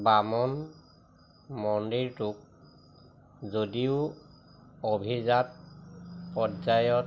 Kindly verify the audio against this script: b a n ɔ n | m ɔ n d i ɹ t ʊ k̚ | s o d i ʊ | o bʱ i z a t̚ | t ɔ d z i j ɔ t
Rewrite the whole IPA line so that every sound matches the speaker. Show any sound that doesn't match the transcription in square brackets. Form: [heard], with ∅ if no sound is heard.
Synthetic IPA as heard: b a [m] ɔ n | m ɔ n d i ɹ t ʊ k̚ | [z] o d i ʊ | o bʱ i z a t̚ | [p] ɔ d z [a] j ɔ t